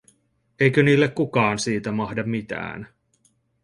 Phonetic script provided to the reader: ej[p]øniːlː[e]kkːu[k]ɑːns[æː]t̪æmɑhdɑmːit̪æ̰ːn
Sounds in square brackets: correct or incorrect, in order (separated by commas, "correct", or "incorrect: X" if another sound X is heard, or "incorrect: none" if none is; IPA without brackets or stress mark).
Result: incorrect: k, correct, correct, incorrect: iː